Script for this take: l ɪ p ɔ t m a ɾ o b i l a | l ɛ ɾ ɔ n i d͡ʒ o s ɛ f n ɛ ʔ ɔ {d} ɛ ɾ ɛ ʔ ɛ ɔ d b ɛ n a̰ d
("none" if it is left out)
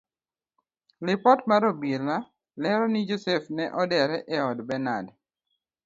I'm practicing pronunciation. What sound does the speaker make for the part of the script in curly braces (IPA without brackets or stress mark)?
d